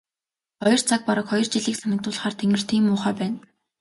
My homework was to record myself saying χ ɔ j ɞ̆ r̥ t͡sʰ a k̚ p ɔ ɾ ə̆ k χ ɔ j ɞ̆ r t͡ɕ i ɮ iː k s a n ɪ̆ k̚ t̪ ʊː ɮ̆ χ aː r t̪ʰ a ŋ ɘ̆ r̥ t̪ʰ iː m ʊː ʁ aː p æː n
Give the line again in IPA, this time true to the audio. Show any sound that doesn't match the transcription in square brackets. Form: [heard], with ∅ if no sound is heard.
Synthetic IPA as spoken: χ ɔ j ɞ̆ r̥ t͡sʰ a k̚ p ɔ ɾ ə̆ k χ ɔ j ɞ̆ r t͡ɕ i ɮ iː k s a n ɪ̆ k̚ t̪ ʊː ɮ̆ χ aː r t̪ʰ [e] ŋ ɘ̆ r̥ t̪ʰ iː m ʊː [χ] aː p æː n